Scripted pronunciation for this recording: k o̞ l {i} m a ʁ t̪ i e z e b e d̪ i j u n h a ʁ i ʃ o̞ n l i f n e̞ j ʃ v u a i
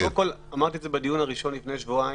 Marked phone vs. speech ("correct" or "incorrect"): incorrect